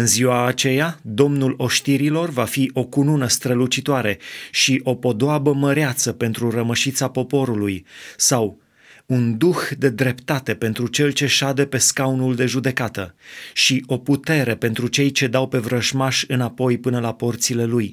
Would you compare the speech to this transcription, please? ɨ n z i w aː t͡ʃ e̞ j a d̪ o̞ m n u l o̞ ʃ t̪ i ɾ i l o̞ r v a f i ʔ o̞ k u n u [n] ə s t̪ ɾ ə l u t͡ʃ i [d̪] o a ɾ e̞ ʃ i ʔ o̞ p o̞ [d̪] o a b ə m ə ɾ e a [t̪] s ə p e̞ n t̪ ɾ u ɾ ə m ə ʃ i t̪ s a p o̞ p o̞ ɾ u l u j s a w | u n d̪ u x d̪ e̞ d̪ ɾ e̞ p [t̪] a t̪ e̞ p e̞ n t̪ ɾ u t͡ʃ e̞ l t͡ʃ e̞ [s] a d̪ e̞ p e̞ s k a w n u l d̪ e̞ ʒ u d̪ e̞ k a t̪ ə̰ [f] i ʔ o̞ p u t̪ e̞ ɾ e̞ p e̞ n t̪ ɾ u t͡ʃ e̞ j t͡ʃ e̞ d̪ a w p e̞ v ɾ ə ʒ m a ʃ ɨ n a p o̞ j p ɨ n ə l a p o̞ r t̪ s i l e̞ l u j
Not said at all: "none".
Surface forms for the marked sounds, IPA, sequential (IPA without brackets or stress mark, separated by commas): n, t̪, d̪, t̪, t̪, ʃ, ʃ